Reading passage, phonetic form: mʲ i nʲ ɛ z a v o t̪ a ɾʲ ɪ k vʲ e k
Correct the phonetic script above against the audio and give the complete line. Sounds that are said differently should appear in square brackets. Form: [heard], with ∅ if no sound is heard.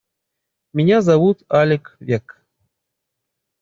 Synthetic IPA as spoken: mʲ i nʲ [a] z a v [u] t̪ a [lʲ] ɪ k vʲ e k